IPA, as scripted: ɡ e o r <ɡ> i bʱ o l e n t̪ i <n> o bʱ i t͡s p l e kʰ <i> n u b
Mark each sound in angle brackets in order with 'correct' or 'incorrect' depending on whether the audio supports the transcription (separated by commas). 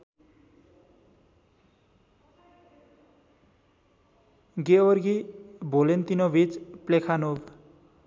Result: correct, correct, incorrect